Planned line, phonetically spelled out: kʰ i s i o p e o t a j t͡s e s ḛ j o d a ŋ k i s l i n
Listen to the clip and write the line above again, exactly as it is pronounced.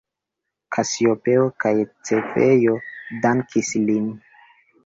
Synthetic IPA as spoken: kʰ a s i o p e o k a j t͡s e f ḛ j o d a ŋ k i s l i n